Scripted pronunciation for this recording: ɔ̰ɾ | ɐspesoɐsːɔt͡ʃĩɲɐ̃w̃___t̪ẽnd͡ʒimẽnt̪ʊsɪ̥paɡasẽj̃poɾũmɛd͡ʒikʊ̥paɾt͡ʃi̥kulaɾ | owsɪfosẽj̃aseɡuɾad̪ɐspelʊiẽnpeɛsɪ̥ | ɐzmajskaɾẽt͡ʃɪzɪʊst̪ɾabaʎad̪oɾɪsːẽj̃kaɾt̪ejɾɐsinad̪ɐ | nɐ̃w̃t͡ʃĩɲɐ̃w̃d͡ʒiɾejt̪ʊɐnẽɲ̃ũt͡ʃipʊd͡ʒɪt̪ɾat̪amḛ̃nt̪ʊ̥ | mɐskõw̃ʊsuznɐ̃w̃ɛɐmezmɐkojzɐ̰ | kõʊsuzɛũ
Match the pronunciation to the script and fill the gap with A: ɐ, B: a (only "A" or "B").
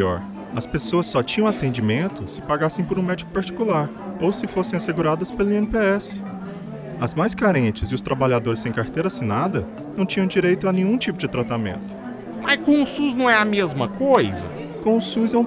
B